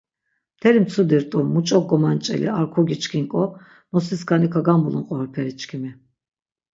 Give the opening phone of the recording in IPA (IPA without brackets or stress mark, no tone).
t̪ʰ